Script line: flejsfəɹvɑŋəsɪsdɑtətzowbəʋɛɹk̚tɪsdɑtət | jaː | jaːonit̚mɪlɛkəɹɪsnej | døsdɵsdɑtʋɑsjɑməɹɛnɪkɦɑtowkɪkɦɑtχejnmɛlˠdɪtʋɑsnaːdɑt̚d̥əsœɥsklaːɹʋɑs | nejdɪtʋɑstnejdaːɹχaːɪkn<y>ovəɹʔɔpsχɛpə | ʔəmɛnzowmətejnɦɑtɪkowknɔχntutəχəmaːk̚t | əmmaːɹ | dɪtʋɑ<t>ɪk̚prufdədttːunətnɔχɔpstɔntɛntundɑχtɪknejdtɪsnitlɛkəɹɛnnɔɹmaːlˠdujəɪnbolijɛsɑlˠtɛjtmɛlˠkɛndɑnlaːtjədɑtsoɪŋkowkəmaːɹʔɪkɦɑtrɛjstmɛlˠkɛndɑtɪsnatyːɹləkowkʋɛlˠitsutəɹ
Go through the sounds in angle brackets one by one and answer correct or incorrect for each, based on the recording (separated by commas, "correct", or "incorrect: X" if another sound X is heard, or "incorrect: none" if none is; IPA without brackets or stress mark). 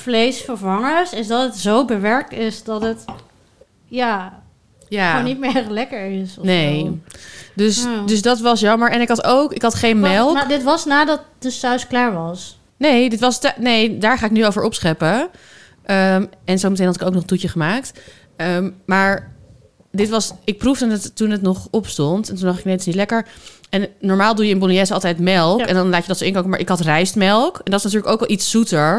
correct, incorrect: s